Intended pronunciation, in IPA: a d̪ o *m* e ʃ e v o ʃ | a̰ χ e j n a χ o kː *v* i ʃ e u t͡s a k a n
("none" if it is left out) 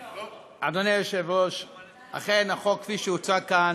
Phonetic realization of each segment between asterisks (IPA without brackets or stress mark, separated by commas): n, f